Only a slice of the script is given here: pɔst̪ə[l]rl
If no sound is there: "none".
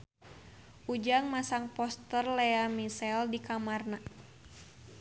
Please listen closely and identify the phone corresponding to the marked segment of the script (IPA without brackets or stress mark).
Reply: none